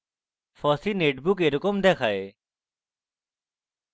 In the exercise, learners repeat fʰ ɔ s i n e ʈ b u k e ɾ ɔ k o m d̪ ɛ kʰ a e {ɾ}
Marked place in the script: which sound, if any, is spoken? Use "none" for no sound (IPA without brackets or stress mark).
none